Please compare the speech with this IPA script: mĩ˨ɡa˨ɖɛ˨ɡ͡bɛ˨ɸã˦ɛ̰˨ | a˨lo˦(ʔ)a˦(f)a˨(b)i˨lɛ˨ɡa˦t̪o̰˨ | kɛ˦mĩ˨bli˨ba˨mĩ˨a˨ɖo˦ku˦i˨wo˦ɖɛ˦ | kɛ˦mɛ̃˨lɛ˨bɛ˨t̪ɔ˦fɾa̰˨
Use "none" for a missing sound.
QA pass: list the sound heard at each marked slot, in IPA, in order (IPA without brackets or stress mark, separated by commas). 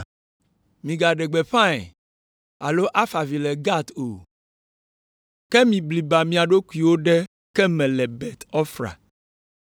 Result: ʔ, f, v